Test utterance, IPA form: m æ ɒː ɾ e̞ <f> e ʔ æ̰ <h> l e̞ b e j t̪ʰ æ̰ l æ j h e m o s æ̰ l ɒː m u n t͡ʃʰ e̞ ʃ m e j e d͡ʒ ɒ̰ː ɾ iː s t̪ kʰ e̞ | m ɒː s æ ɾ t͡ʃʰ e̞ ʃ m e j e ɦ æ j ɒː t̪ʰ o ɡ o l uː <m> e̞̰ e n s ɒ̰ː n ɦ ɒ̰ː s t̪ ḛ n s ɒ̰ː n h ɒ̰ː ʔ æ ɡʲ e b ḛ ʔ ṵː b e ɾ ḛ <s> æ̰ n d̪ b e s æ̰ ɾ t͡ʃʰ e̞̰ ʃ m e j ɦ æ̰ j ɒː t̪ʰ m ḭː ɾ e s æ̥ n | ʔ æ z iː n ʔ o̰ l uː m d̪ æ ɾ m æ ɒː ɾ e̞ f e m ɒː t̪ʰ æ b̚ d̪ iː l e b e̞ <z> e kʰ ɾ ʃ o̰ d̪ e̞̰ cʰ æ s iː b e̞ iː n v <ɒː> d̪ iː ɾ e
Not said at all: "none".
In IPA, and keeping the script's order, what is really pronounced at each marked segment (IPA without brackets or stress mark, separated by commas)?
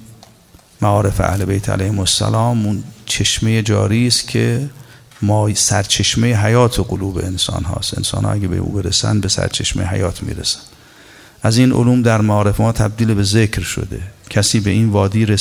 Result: f, h, b, s, z, ɒː